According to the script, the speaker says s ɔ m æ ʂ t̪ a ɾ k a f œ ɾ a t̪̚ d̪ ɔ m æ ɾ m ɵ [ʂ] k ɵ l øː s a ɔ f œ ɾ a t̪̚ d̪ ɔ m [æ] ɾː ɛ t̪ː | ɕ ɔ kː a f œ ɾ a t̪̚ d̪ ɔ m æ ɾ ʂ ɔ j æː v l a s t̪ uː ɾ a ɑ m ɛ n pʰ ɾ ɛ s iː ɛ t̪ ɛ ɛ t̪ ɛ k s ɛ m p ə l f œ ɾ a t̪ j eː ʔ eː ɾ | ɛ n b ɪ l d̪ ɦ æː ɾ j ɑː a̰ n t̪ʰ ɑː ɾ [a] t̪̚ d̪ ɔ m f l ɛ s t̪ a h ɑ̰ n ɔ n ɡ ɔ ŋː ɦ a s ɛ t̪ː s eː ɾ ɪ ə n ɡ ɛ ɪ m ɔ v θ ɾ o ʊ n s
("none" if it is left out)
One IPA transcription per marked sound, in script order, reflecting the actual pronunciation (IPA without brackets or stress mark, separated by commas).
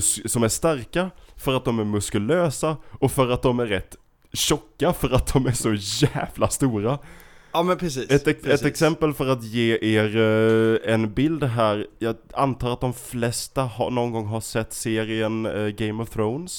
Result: s, æ, a